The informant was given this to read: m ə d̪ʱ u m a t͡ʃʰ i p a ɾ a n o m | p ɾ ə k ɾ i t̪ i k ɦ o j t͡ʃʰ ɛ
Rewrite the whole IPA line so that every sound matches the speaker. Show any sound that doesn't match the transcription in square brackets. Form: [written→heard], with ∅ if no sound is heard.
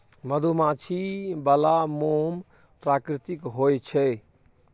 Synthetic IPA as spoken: m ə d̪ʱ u m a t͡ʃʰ i [p→b] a [ɾ→l] a [n→m] o m | p ɾ [ə→a] k ɾ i t̪ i k ɦ o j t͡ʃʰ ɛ